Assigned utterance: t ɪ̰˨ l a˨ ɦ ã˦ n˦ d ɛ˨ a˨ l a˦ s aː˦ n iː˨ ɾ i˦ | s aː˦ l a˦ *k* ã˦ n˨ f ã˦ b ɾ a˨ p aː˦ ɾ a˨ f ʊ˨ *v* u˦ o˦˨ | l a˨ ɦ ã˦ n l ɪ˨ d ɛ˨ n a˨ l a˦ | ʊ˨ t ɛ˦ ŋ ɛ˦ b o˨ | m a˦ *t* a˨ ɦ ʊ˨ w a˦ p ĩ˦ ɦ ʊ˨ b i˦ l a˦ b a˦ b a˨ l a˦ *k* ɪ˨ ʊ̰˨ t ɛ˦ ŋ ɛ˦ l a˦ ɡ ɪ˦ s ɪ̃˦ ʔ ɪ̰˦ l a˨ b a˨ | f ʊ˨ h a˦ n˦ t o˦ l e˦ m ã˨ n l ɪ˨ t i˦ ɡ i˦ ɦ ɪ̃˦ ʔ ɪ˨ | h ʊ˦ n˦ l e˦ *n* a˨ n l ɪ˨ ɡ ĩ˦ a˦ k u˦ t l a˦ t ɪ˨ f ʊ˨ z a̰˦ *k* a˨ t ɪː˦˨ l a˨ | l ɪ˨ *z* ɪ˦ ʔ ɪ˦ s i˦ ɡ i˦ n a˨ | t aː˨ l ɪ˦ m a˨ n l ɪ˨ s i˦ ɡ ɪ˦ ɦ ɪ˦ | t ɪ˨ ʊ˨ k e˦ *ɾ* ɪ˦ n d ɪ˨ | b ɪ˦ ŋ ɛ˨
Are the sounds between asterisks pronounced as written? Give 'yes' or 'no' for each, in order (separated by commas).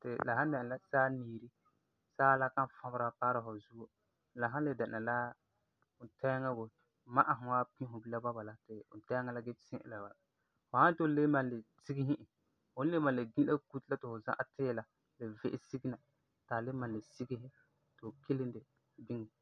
yes, no, no, no, no, no, no, no